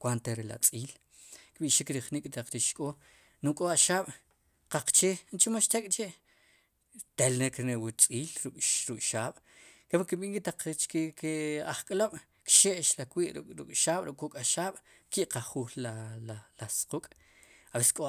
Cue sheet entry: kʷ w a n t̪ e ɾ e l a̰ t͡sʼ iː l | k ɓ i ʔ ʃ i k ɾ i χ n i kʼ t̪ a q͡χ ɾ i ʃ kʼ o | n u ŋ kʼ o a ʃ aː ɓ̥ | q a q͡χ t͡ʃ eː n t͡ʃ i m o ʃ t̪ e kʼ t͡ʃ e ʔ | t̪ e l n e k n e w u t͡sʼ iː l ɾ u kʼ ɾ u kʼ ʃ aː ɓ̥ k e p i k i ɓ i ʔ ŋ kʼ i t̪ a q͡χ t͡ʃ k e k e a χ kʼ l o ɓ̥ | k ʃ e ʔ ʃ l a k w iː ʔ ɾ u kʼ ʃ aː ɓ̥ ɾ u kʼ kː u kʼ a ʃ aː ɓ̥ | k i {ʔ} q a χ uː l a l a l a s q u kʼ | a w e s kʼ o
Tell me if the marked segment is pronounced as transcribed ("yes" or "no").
yes